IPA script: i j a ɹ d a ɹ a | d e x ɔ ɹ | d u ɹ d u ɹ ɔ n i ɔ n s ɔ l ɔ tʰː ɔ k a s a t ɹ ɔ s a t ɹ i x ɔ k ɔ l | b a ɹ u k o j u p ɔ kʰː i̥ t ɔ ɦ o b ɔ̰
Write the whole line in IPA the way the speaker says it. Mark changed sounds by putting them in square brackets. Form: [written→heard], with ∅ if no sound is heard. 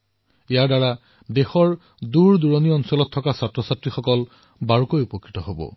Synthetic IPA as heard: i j a ɹ d a ɹ a | d e x ɔ ɹ | d u ɹ d u ɹ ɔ n i ɔ n s ɔ l ɔ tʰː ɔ k a s a t ɹ ɔ s a t ɹ i x ɔ k ɔ l | b a ɹ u k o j u p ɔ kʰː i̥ t ɔ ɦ o b ɔ̰